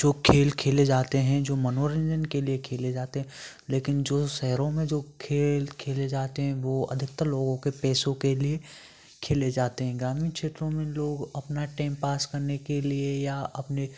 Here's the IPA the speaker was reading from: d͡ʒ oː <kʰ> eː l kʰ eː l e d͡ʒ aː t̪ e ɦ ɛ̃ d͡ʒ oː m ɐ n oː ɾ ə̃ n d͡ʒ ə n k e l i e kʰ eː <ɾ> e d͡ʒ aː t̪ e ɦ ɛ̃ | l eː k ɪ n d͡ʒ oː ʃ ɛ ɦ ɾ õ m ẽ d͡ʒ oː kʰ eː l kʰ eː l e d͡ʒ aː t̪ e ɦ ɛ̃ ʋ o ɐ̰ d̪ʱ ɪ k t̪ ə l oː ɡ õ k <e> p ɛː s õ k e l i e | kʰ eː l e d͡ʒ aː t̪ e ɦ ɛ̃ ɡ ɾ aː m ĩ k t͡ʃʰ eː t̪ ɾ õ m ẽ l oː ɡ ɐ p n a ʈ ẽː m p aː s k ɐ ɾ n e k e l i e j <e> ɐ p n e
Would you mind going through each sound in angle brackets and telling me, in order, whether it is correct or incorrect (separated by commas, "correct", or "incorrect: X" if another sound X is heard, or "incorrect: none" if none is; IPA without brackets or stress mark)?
correct, incorrect: l, correct, incorrect: a